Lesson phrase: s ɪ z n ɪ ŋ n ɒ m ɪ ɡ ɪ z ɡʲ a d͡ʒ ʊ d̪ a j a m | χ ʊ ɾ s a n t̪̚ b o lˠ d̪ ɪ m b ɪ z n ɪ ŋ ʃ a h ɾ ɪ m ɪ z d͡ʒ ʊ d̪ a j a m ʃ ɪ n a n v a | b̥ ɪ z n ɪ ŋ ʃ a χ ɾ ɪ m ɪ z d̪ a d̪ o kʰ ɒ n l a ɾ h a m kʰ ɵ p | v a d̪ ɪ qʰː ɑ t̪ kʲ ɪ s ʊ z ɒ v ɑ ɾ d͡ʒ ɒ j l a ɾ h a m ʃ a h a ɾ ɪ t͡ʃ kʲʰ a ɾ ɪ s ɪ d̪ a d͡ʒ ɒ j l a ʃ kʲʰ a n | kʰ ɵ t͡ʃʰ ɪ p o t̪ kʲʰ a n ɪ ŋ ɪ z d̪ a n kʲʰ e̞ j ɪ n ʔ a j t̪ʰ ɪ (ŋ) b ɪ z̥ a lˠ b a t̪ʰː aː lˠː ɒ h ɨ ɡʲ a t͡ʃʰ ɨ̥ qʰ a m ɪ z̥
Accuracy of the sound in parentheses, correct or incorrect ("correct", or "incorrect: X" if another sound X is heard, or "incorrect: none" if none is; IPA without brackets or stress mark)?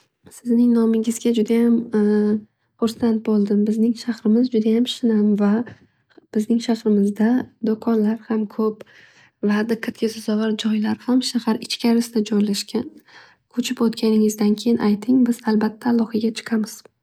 correct